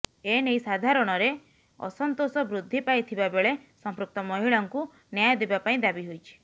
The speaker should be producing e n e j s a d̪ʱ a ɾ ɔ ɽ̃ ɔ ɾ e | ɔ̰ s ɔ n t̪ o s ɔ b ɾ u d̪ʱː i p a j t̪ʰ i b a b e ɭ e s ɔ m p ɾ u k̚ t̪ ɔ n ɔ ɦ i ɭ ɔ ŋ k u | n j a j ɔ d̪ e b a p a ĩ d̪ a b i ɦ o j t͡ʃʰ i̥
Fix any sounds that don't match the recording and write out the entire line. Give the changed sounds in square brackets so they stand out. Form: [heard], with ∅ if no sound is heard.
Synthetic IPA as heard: e n e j s a d̪ʱ a ɾ ɔ ɽ̃ ɔ ɾ e | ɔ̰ s ɔ n t̪ o s ɔ b ɾ u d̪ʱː i p a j t̪ʰ i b a b e ɭ e s ɔ m p ɾ u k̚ t̪ ɔ [m] ɔ ɦ i ɭ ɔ ŋ k u | n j a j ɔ d̪ e b a p a ĩ d̪ a b i ɦ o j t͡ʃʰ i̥

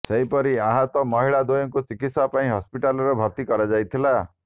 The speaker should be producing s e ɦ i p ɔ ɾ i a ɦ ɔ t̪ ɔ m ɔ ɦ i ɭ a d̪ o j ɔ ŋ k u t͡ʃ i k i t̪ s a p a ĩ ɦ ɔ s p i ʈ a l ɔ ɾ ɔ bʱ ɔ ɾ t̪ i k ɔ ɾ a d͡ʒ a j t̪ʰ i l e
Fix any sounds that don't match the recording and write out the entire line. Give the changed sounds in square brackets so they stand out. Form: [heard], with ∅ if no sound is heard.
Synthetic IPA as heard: s e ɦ i p ɔ ɾ i a ɦ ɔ t̪ ɔ m ɔ ɦ i ɭ a d̪ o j ɔ ŋ k u t͡ʃ i k i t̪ s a p a ĩ ɦ ɔ s p i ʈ a l ɔ ɾ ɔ bʱ ɔ ɾ t̪ i k ɔ ɾ a d͡ʒ a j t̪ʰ i l [a]

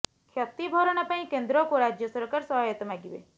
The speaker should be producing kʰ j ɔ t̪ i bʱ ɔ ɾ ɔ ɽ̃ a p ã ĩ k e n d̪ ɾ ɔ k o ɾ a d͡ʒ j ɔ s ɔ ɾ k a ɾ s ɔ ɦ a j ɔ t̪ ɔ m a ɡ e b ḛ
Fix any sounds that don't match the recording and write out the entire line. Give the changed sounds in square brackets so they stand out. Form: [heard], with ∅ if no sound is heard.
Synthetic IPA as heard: kʰ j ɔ t̪ i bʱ ɔ ɾ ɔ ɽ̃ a p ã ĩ k e n d̪ ɾ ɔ k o ɾ a d͡ʒ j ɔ s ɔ ɾ k a ɾ s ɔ ɦ a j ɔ t̪ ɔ m a ɡ [i] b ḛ

